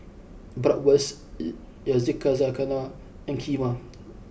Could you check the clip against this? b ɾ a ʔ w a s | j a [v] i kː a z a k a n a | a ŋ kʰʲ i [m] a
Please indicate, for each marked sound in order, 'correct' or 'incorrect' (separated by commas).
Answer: incorrect, correct